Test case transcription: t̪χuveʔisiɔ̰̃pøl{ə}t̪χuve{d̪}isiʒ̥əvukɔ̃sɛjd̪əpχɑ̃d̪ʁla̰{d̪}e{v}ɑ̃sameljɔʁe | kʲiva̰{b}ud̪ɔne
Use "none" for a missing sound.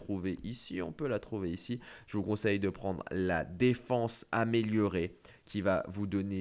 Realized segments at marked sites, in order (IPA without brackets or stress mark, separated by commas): a, none, d̪, f, v